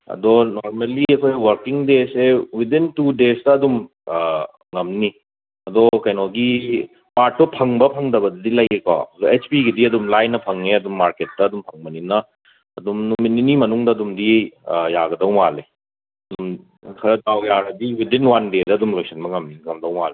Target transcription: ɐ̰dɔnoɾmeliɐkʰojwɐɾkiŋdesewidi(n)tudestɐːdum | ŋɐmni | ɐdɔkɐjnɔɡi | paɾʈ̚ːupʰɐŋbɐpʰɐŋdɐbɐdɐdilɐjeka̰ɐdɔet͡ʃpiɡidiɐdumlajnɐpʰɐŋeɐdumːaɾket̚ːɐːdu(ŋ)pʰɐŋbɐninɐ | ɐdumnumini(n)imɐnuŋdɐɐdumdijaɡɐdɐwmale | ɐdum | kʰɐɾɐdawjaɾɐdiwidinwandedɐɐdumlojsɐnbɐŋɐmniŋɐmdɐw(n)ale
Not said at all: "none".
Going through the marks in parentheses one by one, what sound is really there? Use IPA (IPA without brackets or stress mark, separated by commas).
n, m, n, m